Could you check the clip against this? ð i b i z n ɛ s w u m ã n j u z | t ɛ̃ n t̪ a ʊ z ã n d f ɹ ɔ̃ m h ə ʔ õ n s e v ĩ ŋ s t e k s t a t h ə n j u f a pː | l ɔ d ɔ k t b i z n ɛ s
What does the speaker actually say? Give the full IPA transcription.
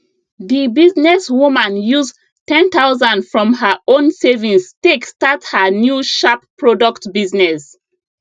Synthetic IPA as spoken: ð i b i z n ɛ s w u m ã n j u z | t ɛ̃ n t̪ a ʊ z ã n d f ɹ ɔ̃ m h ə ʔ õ n s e v ĩ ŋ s t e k s t a t h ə n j u ʃ a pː | ɹ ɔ d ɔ k t b i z n ɛ s

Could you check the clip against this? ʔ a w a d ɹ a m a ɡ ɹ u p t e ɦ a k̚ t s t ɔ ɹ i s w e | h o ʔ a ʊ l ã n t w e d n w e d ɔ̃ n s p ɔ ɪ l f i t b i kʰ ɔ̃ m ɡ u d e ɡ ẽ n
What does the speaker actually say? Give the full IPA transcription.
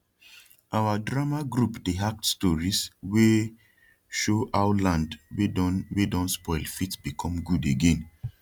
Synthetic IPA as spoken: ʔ a w a d ɹ a m a ɡ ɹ u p d e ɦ a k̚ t s t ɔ ɹ i s w e | ʃ o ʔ a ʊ l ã n d w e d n w e d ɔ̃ n s p ɔ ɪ l f i t b i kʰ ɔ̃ m ɡ u d e ɡ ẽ n

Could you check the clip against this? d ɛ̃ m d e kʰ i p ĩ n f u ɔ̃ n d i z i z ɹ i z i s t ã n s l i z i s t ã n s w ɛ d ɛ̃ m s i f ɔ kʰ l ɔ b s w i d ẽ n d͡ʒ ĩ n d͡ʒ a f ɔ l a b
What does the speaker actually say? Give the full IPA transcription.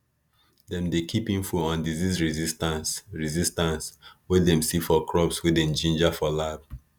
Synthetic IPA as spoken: d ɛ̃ m d e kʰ i p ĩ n f u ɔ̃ n d i z i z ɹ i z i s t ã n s ɹ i z i s t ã n s w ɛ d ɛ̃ m s i f ɔ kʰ ɹ ɔ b s w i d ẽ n d͡ʒ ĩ n d͡ʒ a f ɔ l a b

